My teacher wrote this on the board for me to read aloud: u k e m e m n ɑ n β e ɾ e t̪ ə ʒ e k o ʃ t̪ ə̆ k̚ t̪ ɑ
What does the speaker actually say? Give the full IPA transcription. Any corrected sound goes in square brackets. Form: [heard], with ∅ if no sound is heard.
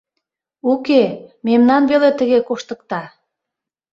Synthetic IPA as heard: u k e m e m n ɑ n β e [l] e t̪ ə [ɣ] e k o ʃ t̪ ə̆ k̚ t̪ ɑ